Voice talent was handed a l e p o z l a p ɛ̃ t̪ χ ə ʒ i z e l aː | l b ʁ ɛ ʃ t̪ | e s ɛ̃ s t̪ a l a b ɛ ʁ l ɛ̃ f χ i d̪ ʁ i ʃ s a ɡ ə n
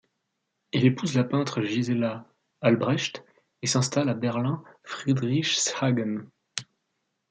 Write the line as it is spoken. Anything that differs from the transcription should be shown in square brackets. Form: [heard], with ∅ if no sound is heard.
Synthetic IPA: [i] l e p [u] z l a p ɛ̃ t̪ χ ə ʒ i z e l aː | l b ʁ ɛ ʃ t̪ | e s ɛ̃ s t̪ a l a b ɛ ʁ l ɛ̃ f χ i d̪ ʁ i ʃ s a ɡ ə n